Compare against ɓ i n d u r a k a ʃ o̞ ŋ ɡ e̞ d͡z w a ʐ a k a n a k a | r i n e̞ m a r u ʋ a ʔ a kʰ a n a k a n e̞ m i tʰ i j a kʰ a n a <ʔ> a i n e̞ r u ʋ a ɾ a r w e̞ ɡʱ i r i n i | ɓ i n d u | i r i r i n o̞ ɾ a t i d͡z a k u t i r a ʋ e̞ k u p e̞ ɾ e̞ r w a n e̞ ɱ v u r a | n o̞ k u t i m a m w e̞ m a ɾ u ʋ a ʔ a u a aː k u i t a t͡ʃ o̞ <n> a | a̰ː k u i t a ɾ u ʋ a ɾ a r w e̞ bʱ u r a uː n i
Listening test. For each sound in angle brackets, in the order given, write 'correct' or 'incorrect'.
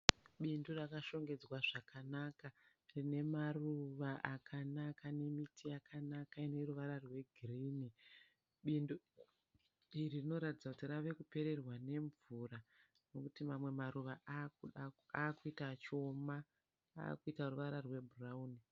incorrect, incorrect

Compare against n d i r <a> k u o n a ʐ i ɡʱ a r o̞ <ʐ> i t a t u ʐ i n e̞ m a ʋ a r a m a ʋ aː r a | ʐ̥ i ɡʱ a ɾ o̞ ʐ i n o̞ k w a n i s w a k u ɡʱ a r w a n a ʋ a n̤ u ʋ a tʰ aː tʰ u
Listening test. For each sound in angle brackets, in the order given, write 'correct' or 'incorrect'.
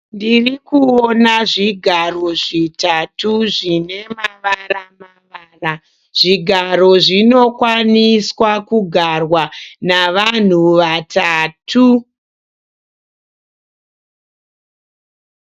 incorrect, correct

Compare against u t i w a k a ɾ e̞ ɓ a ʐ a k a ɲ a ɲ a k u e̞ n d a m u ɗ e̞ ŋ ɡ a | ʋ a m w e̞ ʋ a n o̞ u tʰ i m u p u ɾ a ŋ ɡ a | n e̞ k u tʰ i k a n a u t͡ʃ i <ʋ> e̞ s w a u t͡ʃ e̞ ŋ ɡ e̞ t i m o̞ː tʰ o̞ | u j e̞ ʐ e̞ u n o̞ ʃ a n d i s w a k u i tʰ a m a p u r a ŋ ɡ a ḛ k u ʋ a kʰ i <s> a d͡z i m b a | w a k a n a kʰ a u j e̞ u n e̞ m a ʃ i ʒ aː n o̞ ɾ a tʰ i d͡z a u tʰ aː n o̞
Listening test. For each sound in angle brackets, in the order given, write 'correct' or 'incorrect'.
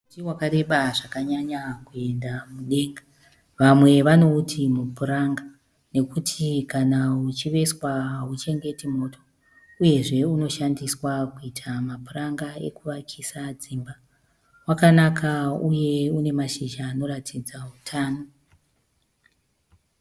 correct, correct

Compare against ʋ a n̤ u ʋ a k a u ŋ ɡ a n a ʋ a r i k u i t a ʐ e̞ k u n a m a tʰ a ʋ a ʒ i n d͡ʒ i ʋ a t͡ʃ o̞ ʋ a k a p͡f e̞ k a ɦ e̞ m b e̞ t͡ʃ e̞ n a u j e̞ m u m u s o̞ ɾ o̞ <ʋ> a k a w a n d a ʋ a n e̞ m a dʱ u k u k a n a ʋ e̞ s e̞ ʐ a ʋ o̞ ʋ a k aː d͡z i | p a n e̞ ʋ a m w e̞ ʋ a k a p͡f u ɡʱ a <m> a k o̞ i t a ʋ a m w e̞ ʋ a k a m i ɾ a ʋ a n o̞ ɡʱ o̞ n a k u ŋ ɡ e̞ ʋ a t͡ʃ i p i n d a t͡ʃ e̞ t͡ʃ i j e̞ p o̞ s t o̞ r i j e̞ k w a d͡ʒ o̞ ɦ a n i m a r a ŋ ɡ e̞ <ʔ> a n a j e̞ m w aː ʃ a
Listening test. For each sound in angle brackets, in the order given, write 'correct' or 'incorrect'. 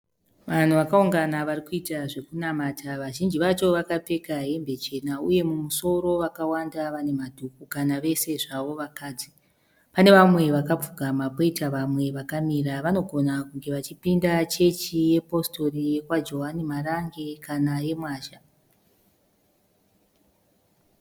correct, correct, incorrect

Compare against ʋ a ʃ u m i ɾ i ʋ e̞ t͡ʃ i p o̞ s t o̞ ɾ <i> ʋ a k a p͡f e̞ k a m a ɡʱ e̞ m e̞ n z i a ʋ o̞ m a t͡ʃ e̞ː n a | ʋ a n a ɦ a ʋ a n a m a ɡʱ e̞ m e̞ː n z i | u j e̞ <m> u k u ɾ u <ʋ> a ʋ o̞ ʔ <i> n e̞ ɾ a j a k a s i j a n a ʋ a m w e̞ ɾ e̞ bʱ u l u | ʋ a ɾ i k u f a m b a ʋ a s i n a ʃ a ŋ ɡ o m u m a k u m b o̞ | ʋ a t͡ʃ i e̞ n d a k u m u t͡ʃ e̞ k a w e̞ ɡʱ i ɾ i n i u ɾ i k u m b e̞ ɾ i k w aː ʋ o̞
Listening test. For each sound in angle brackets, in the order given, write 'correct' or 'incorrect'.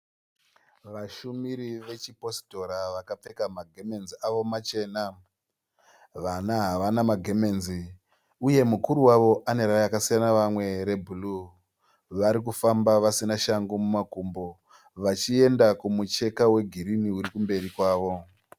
incorrect, correct, incorrect, incorrect

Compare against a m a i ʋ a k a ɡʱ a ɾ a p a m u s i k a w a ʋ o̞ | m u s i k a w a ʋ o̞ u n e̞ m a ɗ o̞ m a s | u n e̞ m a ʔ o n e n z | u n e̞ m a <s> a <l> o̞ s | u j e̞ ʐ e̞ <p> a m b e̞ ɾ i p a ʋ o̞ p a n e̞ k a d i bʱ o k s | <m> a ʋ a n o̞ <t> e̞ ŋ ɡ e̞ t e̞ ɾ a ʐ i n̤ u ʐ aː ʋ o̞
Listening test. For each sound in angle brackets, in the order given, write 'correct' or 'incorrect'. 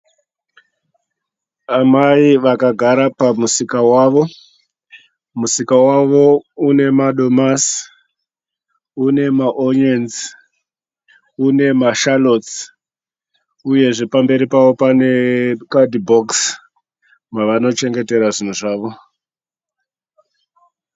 incorrect, correct, correct, correct, incorrect

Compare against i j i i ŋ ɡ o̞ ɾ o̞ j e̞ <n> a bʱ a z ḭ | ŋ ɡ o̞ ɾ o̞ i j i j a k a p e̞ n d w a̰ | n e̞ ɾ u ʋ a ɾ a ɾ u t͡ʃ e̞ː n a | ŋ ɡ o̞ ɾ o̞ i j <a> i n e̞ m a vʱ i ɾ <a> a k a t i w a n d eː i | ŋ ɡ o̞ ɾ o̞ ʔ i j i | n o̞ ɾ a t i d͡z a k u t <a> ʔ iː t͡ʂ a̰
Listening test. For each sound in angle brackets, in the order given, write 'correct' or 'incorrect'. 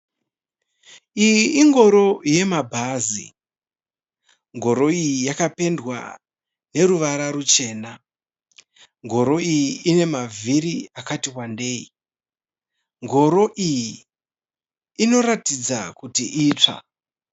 incorrect, incorrect, incorrect, incorrect

